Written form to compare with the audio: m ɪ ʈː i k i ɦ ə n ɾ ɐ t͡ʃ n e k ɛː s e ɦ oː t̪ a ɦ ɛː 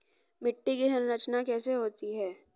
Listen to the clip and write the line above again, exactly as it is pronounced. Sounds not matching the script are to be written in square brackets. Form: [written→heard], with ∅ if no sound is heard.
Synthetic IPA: m ɪ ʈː i k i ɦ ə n ɾ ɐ t͡ʃ n [e→a] k ɛː s e ɦ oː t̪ [a→i] ɦ ɛː